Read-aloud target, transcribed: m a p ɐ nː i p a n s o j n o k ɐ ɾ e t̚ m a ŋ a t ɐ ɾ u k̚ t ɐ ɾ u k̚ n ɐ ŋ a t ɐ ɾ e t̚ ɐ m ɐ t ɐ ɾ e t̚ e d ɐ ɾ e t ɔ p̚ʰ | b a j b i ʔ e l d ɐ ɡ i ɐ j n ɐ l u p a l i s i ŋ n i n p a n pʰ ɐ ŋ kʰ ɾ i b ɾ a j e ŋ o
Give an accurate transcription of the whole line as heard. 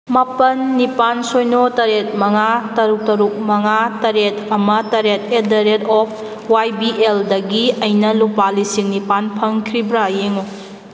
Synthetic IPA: m a p ɐ nː i p a n s o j n o t ɐ ɾ e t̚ m ɐ ŋ a t ɐ ɾ u k̚ t ɐ ɾ u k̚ m ɐ ŋ a t ɐ ɾ e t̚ ɐ m ɐ t ɐ ɾ e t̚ e d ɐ ɾ e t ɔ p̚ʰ | w a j b i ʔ e l d ɐ ɡ i ɐ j n ɐ l u p a l i s i ŋ n i p a n pʰ ɐ ŋ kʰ ɾ i b ɾ a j e ŋ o

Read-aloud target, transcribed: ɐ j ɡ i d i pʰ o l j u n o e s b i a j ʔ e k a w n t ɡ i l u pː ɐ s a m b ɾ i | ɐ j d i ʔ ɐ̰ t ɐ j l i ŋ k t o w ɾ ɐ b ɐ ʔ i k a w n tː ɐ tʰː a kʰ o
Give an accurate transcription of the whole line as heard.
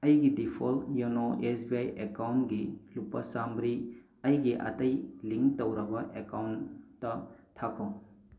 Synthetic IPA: ɐ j ɡ i d i pʰ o l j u n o e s b i a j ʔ e k a w n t ɡ i l u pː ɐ s a m b ɾ i | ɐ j ɡ i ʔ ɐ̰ t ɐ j l i ŋ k t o w ɾ ɐ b ɐ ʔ e k a w n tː ɐ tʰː a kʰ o

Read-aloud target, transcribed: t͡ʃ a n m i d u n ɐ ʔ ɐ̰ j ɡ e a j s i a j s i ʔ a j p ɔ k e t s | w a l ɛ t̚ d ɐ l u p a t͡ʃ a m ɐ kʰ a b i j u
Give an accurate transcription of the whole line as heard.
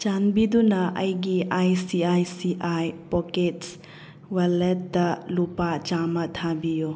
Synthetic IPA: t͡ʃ a n b i d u n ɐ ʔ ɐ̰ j ɡ i a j s i a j s i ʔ a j p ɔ k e t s | w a l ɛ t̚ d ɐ l u p a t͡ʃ a m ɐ tʰ a b i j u

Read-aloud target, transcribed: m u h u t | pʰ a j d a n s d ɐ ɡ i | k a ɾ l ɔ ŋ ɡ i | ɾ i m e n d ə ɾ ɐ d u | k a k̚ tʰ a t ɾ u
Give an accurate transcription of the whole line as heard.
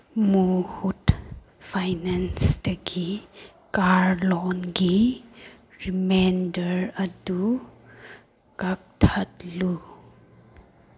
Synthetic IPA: m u h u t | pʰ a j n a n s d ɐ ɡ i | k a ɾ l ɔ n ɡ i | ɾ i m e n d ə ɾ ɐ d u | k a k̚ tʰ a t l u

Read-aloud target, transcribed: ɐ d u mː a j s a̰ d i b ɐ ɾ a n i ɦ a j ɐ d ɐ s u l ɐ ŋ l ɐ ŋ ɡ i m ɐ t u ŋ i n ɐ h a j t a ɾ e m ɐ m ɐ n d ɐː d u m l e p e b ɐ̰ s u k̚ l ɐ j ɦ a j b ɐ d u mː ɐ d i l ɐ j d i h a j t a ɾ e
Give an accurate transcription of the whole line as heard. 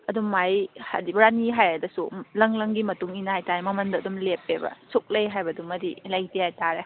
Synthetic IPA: ɐ d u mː a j h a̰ d i b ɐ ɾ a n i ɦ a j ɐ d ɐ s u l ɐ ŋ l ɐ ŋ ɡ i m ɐ t u ŋ i n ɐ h a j t a ɾ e m ɐ m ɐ n d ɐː d u m l e p e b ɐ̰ s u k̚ l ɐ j ɦ a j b ɐ d u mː ɐ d i l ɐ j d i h a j t a ɾ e

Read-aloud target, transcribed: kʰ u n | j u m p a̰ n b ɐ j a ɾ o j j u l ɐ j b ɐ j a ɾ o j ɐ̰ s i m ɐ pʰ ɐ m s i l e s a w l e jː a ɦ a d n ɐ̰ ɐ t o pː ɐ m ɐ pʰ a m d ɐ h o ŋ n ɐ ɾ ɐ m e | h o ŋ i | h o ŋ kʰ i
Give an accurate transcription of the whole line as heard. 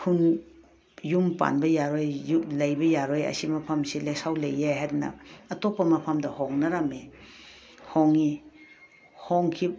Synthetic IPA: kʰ u n | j u m p a̰ n b ɐ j a ɾ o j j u l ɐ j b ɐ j a ɾ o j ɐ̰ s i m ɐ pʰ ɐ m s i l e s a w l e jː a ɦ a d n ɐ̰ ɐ t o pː ɐ m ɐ pʰ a m d ɐ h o ŋ n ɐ ɾ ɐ m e | h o ŋ i | h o ŋ kʰ i

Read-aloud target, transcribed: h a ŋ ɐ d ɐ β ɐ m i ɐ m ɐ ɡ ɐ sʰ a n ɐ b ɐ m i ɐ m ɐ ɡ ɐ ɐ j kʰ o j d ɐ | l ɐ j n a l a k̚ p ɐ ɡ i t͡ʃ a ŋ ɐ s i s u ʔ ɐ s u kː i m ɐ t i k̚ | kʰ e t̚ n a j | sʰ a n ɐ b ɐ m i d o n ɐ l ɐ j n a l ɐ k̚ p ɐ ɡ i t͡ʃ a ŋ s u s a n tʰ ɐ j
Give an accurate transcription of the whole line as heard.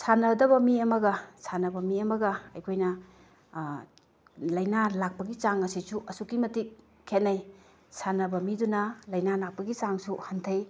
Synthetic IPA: s a n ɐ d ɐ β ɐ m i ɐ m ɐ ɡ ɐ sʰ a n ɐ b ɐ m i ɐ m ɐ ɡ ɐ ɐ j kʰ o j n ɐ | l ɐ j n a l a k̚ p ɐ ɡ i t͡ʃ a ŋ ɐ s i s u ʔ ɐ s u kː i m ɐ t i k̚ | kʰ e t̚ n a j | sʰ a n ɐ b ɐ m i d u n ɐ l ɐ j n a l a k̚ p ɐ ɡ i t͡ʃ a ŋ s u h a n tʰ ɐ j

